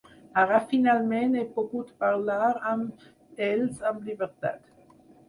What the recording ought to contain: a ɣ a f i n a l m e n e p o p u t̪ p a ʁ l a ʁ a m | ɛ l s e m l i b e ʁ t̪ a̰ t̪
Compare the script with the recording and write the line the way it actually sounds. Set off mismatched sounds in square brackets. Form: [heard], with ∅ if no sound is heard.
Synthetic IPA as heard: a [ʁ] a f i n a l m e n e p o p u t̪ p a ʁ l a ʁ a m | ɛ l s [a] m l i b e ʁ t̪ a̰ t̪